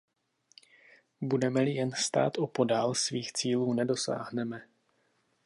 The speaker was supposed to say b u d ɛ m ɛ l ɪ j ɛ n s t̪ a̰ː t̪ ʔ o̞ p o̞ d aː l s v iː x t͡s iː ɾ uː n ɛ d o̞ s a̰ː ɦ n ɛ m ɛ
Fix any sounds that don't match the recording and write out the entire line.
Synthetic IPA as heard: b u d ɛ m ɛ l ɪ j ɛ n s t̪ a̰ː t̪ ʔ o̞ p o̞ d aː l s v iː x t͡s iː l uː n ɛ d o̞ s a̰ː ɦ n ɛ m ɛ